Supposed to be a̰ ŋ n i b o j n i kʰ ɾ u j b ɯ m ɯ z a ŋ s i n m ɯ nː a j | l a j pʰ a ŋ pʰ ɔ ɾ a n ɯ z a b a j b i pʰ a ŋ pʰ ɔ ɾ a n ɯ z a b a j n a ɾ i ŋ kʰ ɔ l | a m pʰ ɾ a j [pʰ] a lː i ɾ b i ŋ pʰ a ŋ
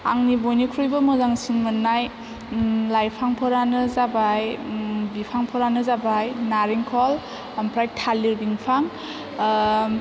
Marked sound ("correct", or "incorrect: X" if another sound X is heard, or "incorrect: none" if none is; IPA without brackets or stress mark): incorrect: tʰ